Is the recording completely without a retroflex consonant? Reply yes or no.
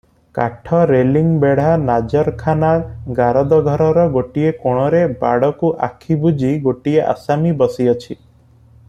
no